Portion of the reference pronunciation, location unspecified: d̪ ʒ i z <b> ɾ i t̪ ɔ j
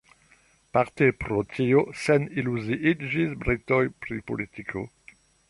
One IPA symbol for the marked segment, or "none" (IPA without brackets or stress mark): b